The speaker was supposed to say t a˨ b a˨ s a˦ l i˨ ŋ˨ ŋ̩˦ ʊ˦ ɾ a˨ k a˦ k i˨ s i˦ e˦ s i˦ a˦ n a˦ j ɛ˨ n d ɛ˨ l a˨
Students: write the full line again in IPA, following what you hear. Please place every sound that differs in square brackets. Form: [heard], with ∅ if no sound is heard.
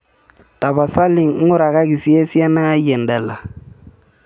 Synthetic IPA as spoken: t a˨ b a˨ s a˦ l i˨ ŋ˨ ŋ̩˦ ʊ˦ ɾ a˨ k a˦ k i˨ s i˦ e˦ s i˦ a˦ n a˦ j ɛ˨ n d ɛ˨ l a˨